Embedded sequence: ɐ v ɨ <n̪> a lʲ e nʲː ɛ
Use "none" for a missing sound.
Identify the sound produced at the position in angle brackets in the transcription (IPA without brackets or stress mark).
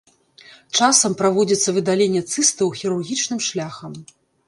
d̪